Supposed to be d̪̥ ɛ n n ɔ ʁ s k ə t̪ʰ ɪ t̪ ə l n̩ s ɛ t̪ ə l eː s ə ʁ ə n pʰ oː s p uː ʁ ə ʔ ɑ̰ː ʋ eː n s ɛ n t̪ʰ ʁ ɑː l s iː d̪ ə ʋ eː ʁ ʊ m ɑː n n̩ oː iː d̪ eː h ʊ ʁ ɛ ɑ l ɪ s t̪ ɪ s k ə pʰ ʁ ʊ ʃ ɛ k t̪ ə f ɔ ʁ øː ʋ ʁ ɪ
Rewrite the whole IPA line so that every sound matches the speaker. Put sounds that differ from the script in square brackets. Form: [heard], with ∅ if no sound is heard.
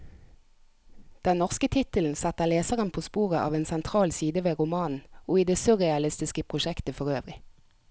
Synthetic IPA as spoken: d̪̥ ɛ n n ɔ ʁ s k ə t̪ʰ ɪ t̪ ə l n̩ s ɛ t̪ ə l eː s ə ʁ ə n pʰ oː s p uː ʁ ə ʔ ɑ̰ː ʋ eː n s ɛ n t̪ʰ ʁ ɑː l s iː d̪ ə ʋ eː ʁ ʊ m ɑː n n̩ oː iː d̪ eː [s] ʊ ʁ ɛ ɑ l ɪ s t̪ ɪ s k ə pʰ ʁ ʊ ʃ ɛ k t̪ ə f ɔ ʁ øː ʋ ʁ ɪ

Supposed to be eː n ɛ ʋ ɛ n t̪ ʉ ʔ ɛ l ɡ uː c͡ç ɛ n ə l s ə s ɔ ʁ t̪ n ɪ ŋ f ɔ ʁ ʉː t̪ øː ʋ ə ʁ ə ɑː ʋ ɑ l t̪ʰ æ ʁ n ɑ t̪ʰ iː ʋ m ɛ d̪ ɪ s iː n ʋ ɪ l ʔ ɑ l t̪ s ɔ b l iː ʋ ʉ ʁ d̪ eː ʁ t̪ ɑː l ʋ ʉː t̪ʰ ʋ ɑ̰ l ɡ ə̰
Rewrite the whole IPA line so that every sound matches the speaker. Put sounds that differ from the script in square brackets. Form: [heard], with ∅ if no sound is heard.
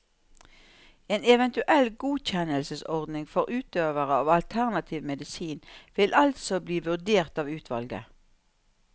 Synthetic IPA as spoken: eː n ɛ ʋ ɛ n t̪ ʉ ʔ ɛ l ɡ uː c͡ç ɛ n ə l s ə s ɔ ʁ [d̪] n ɪ ŋ f ɔ ʁ ʉː t̪ øː ʋ ə ʁ ə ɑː ʋ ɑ l t̪ʰ æ ʁ n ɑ t̪ʰ iː ʋ m ɛ d̪ ɪ s iː n ʋ ɪ l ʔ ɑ l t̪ s ɔ b l iː ʋ ʉ ʁ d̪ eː ʁ t̪ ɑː [∅] ʋ ʉː t̪ʰ ʋ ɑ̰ l ɡ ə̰

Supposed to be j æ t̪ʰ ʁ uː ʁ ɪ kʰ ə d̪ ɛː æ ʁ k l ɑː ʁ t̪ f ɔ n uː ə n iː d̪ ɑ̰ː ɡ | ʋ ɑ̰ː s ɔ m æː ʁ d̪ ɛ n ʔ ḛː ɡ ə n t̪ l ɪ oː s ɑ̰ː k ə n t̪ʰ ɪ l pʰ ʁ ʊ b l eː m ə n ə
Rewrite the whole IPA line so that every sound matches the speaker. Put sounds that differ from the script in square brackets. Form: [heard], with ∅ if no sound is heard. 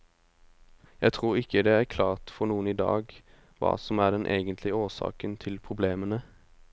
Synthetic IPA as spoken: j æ t̪ʰ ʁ uː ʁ ɪ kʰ ə d̪ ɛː æ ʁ [kʰ] l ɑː ʁ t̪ f ɔ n uː ə n iː d̪ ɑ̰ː ɡ | ʋ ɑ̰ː s ɔ m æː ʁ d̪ ɛ n ʔ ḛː ɡ ə n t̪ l ɪ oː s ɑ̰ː k ə n t̪ʰ ɪ l pʰ ʁ ʊ b l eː m ə n ə

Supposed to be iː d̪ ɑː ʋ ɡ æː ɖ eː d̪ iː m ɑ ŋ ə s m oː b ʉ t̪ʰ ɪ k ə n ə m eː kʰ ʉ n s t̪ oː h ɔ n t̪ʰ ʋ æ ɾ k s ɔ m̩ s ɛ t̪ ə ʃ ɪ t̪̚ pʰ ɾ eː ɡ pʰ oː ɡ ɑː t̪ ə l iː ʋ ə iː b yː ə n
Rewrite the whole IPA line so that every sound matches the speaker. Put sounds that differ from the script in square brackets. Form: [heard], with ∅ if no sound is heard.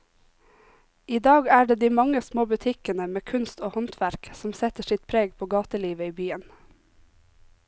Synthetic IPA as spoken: iː d̪ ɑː [∅] ɡ æː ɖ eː d̪ iː m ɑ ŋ ə s m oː b ʉ t̪ʰ ɪ k ə n ə m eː kʰ ʉ n s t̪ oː h ɔ n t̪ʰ ʋ æ ɾ k s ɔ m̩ s ɛ t̪ ə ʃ ɪ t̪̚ pʰ ɾ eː ɡ pʰ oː ɡ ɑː t̪ ə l iː ʋ ə iː b yː ə n

